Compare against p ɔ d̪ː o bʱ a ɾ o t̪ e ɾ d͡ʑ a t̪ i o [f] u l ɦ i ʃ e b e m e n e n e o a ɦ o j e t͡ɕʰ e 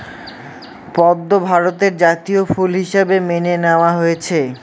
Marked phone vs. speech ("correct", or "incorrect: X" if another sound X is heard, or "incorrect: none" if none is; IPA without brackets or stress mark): correct